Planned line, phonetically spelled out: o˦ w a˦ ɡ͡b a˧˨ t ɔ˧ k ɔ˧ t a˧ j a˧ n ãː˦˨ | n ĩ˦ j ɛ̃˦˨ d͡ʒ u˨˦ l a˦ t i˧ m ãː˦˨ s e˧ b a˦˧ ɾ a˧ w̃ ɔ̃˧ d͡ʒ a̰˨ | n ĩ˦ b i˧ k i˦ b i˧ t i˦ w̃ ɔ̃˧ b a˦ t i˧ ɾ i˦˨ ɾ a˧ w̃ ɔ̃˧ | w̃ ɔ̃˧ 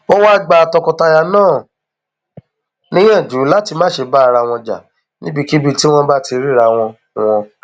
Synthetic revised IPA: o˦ w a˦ ɡ͡b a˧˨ t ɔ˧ k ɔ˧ t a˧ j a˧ n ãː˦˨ | n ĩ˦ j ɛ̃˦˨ d͡ʒ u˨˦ l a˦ t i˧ m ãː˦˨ ʃ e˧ b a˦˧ ɾ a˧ w̃ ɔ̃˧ d͡ʒ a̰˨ | n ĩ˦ b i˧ k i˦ b i˧ t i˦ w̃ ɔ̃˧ b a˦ t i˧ ɾ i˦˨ ɾ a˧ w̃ ɔ̃˧ | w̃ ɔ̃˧